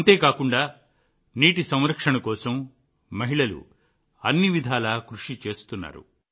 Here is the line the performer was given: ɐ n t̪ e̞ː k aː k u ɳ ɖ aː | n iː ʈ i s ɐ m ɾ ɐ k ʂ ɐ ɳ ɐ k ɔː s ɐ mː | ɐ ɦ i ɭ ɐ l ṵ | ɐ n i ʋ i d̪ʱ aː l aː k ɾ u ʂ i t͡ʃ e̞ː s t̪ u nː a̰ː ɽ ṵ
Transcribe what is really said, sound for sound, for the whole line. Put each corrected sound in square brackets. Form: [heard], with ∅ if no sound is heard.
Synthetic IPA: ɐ n t̪ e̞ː k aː k u ɳ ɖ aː | n iː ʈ i s ɐ m ɾ ɐ k ʂ ɐ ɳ ɐ k ɔː s ɐ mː | ɐ ɦ i ɭ ɐ l ṵ | ɐ [nː] i ʋ i d̪ʱ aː l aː k ɾ u ʂ i t͡ʃ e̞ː s t̪ u nː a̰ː [ɾ] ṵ